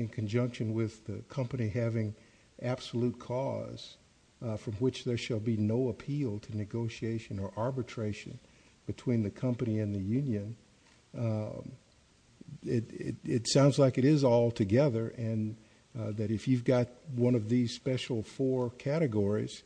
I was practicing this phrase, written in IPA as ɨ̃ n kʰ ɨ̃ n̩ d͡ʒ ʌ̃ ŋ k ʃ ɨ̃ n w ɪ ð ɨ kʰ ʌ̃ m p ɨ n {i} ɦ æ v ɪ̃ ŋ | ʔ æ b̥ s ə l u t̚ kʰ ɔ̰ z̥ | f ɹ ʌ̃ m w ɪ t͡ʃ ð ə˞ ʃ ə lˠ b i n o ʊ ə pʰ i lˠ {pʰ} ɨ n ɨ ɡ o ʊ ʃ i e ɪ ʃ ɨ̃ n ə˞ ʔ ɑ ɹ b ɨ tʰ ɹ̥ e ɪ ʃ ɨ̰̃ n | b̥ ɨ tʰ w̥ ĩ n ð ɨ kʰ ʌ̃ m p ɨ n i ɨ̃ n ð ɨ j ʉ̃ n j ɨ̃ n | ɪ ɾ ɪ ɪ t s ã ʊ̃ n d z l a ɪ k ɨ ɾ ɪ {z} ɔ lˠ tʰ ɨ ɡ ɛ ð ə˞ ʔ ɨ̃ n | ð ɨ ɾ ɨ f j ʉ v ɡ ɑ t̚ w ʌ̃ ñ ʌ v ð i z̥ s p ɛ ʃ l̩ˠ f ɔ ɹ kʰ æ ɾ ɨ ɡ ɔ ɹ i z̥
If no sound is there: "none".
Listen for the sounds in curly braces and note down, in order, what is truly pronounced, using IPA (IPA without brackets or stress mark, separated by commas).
i, tʰ, z